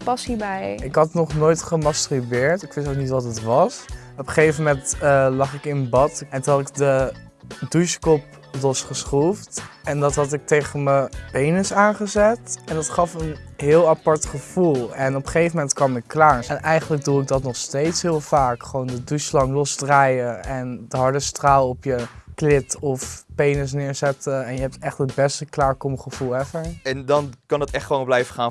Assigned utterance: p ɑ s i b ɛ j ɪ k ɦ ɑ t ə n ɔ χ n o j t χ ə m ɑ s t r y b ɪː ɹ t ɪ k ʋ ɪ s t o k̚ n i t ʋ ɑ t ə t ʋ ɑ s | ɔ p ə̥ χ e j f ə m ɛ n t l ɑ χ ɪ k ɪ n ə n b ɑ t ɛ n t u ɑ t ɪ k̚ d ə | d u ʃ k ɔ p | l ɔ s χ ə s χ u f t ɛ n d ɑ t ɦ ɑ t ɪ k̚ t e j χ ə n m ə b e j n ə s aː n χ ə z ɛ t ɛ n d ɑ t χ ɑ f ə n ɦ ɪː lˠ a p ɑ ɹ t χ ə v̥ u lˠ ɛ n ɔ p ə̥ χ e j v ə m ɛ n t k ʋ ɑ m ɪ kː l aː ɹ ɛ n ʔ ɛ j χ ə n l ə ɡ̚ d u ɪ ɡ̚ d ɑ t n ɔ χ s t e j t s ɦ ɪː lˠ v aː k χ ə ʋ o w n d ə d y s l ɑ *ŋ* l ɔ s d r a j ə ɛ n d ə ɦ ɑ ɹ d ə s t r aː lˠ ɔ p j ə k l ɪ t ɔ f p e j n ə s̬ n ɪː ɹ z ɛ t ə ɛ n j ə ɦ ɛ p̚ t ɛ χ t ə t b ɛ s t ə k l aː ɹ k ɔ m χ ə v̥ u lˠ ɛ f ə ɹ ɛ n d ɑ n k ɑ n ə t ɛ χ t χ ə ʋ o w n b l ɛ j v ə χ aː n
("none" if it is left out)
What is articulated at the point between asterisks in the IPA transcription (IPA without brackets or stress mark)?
ŋ